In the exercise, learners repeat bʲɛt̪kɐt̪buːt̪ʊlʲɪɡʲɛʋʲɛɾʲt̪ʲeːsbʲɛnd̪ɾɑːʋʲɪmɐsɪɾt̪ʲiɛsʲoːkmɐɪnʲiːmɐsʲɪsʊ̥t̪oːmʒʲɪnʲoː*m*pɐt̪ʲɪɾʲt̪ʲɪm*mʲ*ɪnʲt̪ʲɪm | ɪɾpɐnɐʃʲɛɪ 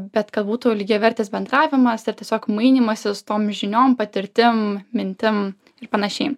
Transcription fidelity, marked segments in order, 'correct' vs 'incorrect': correct, correct

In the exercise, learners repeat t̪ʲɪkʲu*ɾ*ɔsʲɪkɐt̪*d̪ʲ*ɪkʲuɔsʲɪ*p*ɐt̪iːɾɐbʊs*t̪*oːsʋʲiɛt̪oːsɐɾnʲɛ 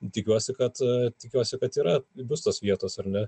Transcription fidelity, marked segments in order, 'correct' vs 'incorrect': incorrect, incorrect, incorrect, correct

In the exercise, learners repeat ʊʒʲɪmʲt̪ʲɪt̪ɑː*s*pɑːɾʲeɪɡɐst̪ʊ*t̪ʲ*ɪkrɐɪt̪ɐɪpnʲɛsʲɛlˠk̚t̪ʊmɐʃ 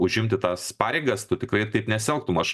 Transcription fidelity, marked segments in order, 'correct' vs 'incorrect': correct, correct

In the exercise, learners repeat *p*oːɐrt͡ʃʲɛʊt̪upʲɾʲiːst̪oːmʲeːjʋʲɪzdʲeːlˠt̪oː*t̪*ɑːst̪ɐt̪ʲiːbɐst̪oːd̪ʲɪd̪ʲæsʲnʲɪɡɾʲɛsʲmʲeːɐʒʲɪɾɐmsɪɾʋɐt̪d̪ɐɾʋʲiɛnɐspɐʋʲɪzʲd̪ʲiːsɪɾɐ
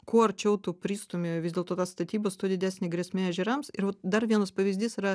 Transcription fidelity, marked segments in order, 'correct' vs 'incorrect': incorrect, correct

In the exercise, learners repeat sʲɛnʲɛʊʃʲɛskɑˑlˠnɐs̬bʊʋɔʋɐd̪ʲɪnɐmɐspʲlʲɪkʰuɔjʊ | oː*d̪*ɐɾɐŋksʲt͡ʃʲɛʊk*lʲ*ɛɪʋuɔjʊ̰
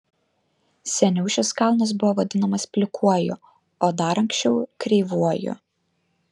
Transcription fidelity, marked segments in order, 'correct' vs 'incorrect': correct, incorrect

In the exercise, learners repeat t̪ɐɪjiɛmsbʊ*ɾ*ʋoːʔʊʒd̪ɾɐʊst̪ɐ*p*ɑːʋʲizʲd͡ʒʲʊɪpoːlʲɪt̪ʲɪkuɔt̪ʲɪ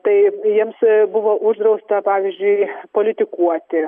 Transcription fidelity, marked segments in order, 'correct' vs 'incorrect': incorrect, correct

